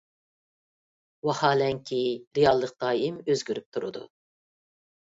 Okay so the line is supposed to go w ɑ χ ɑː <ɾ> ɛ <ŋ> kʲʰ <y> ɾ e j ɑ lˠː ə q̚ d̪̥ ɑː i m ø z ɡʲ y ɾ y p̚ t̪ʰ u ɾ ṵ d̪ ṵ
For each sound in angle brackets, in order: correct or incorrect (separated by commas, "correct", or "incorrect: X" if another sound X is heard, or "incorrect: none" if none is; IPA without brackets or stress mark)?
incorrect: l, correct, incorrect: i